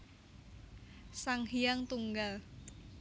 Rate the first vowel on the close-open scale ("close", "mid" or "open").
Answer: open